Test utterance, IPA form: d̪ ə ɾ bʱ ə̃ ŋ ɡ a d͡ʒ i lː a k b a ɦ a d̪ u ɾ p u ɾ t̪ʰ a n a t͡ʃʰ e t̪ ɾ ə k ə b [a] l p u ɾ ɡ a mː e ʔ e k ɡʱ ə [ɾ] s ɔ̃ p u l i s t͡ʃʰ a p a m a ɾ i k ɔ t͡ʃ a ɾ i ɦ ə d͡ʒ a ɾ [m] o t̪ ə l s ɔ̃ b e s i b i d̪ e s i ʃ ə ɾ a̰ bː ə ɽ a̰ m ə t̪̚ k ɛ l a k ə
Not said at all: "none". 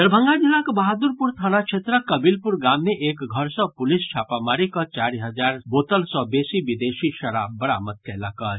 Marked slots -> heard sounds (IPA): i, ɾ, b

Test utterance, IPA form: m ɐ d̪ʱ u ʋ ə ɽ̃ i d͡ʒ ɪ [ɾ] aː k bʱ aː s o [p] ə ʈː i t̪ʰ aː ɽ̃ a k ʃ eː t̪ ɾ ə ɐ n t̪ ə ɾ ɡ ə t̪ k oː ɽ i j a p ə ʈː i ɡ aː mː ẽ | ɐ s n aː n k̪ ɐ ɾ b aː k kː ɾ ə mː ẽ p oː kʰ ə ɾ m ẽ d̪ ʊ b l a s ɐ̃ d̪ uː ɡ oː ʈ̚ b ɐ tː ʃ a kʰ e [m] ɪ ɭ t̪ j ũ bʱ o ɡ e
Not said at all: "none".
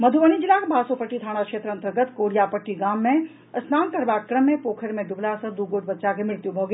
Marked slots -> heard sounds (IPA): l, p, m

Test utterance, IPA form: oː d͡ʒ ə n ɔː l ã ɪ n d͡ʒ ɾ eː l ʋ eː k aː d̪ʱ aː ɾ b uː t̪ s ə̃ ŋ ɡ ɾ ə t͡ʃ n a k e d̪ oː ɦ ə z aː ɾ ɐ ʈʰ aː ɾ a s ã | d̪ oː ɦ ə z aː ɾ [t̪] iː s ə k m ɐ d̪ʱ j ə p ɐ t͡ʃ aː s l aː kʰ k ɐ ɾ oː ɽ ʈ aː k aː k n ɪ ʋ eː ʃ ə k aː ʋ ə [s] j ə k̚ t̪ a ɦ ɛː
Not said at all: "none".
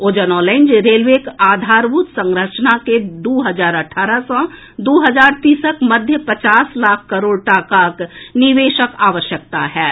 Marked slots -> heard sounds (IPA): t̪, ʃ

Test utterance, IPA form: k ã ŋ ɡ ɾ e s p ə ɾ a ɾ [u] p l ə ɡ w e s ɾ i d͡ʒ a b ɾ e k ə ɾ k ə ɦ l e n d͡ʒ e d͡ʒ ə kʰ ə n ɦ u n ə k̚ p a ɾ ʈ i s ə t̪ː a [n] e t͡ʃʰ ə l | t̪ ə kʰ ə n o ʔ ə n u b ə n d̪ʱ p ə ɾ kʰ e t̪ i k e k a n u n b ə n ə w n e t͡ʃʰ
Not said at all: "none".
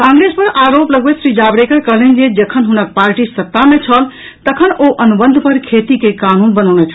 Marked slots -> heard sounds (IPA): o, m

